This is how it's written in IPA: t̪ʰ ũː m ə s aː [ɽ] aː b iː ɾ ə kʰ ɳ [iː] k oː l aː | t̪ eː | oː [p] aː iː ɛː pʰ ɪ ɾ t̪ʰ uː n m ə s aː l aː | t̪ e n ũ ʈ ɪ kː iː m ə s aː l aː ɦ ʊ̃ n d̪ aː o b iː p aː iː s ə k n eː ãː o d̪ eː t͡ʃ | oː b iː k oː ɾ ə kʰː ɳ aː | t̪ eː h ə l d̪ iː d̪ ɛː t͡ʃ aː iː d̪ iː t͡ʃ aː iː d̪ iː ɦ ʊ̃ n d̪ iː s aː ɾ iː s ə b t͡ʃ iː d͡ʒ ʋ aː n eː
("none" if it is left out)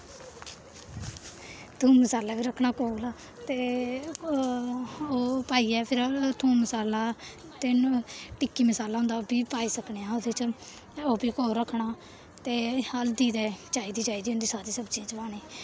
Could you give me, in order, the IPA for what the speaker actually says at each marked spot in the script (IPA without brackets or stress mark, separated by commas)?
l, aː, p